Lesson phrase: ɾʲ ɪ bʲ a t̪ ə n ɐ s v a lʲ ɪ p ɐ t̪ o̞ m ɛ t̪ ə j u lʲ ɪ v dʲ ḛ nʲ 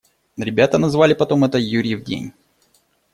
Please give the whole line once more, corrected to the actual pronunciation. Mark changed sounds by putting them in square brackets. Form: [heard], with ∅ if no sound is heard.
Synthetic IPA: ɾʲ ɪ bʲ a t̪ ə n ɐ [z] v a lʲ ɪ p ɐ t̪ o̞ m ɛ t̪ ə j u [ɾʲ] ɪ v dʲ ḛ nʲ